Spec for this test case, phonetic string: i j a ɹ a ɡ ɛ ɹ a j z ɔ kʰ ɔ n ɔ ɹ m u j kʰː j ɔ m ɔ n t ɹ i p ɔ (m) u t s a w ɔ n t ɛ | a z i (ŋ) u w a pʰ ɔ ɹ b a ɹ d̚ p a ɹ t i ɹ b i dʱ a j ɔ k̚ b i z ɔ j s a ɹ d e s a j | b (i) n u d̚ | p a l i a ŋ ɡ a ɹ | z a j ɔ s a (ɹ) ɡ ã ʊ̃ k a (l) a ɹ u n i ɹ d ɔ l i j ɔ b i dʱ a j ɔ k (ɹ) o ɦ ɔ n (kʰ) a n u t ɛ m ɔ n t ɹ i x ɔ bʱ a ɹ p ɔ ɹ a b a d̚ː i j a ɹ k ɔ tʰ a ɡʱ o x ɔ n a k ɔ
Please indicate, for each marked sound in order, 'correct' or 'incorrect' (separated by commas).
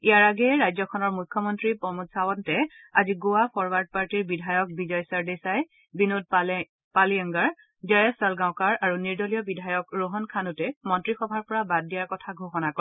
correct, incorrect, correct, incorrect, incorrect, correct, correct